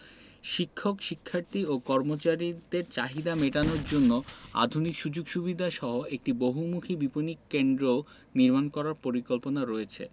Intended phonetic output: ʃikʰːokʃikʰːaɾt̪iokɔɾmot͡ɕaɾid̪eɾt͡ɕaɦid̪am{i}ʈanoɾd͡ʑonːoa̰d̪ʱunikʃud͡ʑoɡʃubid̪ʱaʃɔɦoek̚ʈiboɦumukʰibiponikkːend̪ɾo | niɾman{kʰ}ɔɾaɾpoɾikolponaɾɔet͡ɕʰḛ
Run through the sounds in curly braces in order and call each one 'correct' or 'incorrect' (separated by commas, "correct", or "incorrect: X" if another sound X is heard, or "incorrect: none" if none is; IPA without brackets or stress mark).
incorrect: e, incorrect: k